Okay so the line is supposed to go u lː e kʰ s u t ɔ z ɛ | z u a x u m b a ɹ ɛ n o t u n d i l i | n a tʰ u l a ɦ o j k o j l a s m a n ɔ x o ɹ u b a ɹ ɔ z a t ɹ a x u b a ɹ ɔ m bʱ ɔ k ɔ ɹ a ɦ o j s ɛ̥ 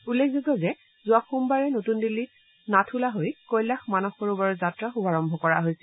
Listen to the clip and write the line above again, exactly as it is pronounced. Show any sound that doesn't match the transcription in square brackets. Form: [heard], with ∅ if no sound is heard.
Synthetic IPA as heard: u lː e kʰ [z] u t ɔ z ɛ | z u a x u m b a ɹ ɛ n o t u n d i l i | n a tʰ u l a ɦ o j k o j l a [x] m a n ɔ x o ɹ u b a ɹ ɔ z a t ɹ a x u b a ɹ ɔ m bʱ ɔ k ɔ ɹ a ɦ o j s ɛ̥